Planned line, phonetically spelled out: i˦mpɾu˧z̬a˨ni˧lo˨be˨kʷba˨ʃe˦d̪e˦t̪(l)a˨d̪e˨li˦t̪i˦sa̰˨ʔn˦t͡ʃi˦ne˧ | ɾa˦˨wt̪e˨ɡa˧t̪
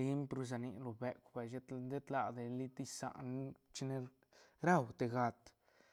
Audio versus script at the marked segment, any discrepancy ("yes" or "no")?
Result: no